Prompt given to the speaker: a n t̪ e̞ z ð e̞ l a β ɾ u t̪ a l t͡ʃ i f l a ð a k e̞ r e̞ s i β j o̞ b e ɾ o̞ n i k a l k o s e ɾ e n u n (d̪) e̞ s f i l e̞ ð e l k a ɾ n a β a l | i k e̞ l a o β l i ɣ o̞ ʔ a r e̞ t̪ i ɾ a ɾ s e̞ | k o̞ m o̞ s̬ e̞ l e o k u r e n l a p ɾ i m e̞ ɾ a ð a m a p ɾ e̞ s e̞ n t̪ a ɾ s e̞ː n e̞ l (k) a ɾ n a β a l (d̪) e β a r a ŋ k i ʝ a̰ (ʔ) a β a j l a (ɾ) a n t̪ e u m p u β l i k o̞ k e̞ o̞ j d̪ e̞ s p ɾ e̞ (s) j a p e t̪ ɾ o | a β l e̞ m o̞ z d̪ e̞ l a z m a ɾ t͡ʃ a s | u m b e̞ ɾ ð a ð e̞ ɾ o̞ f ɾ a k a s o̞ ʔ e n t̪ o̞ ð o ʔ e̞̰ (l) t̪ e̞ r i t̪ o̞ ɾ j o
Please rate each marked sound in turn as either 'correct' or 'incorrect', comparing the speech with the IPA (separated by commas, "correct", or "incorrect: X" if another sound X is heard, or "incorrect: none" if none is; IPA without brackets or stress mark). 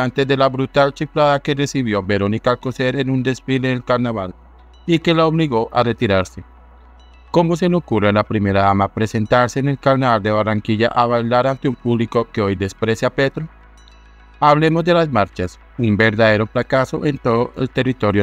correct, correct, correct, correct, correct, correct, correct